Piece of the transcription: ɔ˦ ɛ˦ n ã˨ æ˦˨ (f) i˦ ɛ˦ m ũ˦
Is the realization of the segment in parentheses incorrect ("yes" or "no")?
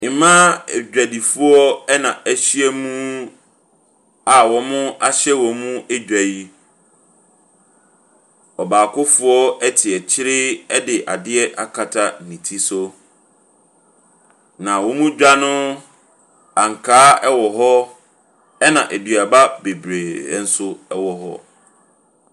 yes